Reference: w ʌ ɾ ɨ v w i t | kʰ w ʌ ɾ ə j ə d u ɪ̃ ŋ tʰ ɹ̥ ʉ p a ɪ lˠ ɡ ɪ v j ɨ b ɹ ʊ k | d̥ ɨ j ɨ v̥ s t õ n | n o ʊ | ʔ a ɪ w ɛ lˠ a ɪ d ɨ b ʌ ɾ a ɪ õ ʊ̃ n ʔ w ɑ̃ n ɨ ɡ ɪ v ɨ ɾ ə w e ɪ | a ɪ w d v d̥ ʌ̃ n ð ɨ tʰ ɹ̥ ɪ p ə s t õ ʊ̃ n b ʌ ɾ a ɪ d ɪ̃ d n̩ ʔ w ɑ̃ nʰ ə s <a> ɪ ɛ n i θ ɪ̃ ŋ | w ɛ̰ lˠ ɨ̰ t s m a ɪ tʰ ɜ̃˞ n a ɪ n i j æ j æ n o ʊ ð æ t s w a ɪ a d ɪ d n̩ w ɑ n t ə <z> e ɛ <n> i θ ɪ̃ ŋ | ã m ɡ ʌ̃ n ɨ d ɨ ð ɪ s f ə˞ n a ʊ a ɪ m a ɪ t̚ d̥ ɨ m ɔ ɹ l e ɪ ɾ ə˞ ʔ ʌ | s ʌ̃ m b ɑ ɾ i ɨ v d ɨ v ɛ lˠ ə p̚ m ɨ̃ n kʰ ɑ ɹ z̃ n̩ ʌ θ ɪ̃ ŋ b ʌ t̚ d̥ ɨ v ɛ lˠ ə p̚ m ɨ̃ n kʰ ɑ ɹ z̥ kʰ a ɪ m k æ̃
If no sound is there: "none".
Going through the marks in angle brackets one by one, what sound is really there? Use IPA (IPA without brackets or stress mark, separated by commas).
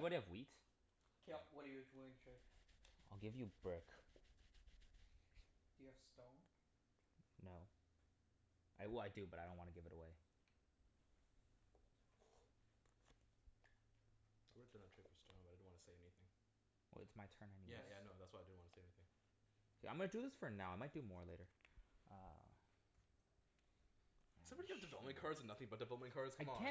e, s, n